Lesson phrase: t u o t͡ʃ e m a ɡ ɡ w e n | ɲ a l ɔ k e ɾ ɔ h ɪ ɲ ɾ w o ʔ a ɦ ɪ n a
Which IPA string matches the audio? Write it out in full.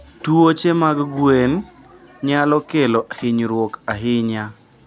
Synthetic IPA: t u o t͡ʃ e m a ɡ ɡ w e n | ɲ a l ɔ k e l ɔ h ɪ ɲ ɾ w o k a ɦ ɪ ɲ a